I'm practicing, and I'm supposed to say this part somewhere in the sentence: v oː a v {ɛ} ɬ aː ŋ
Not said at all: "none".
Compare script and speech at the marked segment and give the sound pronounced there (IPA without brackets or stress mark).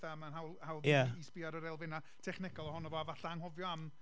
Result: a